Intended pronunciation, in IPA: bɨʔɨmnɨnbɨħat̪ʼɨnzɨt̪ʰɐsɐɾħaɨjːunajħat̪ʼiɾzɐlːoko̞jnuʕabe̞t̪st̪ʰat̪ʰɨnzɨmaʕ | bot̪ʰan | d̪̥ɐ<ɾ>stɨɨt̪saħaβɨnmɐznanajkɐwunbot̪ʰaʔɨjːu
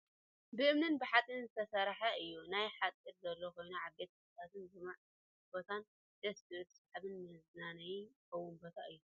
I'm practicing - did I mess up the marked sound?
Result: yes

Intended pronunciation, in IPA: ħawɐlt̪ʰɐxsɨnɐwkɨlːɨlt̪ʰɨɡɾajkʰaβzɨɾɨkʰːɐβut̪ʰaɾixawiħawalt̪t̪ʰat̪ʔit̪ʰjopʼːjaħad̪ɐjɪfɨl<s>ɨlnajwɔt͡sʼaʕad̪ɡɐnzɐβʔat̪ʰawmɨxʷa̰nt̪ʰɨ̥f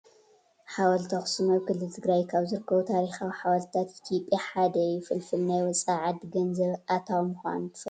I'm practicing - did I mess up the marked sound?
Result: yes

